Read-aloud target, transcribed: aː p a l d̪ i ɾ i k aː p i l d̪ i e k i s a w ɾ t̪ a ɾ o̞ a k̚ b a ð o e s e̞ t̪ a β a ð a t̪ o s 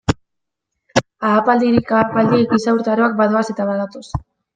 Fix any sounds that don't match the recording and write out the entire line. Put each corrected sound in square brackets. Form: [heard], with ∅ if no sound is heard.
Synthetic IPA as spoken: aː p a l d̪ i ɾ i k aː p [a] l d̪ i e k i s a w ɾ t̪ a ɾ o̞ a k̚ b a ð o [a] s e̞ t̪ a β a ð a t̪ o s